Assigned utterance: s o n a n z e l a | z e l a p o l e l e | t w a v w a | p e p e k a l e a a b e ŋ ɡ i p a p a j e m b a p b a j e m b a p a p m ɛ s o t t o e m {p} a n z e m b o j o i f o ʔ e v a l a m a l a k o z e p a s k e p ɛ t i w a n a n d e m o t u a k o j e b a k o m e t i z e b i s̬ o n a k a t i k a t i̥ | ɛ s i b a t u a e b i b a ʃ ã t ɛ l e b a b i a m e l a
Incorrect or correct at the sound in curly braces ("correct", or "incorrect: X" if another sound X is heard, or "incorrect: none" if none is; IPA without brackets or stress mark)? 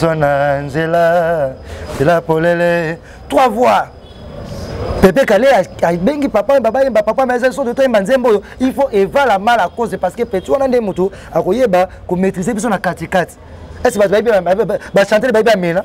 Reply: incorrect: b